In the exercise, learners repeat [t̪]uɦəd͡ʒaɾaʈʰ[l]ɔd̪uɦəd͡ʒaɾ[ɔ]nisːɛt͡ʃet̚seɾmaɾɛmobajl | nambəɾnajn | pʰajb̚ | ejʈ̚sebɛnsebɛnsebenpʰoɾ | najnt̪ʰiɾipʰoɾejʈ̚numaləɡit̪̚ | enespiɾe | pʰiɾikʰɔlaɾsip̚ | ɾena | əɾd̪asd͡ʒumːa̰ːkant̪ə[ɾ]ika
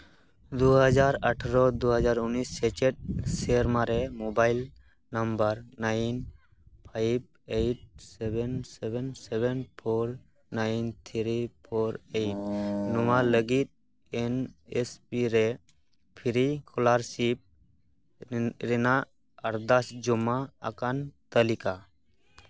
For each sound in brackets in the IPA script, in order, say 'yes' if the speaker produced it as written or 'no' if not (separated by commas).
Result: no, no, no, no